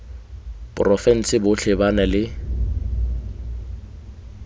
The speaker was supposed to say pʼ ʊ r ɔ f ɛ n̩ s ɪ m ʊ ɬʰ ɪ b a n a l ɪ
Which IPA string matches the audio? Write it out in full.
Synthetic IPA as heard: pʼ ʊ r ɔ f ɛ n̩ s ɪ b ʊ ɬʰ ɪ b a n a l ɪ